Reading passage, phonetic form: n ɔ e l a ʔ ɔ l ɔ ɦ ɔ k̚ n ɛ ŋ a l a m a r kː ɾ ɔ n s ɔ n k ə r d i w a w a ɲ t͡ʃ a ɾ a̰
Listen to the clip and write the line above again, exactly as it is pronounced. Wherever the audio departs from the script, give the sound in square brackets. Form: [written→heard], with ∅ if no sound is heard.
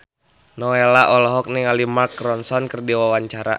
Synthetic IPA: n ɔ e l a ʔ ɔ l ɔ ɦ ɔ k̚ n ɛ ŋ a l [a→i] m a r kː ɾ ɔ n s ɔ n k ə r d i w a w a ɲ t͡ʃ a ɾ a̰